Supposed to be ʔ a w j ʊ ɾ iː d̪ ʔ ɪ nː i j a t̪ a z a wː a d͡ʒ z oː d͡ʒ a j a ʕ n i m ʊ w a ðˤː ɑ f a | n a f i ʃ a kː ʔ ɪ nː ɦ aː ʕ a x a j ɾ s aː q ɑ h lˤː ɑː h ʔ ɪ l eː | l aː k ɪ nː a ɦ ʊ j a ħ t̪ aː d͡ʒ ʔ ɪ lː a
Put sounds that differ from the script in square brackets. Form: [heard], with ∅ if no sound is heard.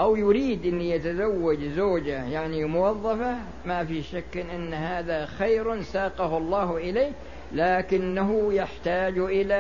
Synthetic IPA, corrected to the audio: ʔ a w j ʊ ɾ iː d̪ ʔ ɪ nː i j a t̪ a z a wː a d͡ʒ z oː d͡ʒ a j a ʕ n i m ʊ w [ɑ] ðˤː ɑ f a | [m] a f i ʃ a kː ʔ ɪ nː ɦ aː [ð] a x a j ɾ s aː q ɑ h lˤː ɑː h ʔ ɪ l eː | l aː k ɪ nː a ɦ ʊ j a ħ t̪ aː d͡ʒ ʔ ɪ [l] a